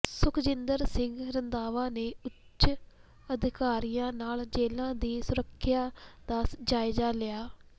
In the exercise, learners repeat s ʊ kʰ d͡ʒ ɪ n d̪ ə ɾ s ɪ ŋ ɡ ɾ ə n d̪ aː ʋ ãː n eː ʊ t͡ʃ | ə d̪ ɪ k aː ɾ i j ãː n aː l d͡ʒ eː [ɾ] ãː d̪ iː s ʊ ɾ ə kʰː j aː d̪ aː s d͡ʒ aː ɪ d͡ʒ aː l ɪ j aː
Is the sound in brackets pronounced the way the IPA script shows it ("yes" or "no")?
no